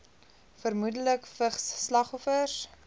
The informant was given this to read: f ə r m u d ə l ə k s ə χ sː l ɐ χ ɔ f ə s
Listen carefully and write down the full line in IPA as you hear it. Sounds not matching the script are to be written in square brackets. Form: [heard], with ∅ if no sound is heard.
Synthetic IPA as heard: f ə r m u d ə l ə k [f] ə χ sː l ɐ χ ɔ f ə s